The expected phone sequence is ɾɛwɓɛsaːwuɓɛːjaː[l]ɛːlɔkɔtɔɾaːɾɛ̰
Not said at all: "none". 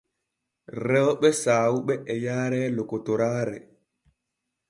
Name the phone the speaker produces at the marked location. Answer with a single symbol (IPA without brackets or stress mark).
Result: ɾ